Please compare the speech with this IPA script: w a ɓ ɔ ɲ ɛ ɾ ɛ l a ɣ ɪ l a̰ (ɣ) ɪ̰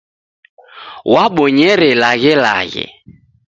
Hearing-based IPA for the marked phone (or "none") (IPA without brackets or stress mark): ɣ